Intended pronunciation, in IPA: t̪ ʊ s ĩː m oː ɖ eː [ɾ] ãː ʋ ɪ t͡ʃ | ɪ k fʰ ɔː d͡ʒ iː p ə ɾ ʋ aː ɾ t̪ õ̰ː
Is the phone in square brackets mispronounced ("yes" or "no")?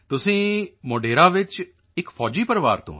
no